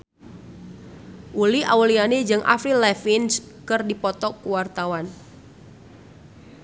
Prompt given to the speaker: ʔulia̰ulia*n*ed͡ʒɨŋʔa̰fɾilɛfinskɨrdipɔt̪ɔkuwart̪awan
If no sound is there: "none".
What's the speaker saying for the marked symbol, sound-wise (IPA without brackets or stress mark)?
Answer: n